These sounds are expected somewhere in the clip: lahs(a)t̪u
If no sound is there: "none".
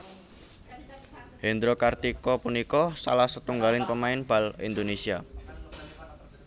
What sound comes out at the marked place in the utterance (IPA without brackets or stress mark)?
ə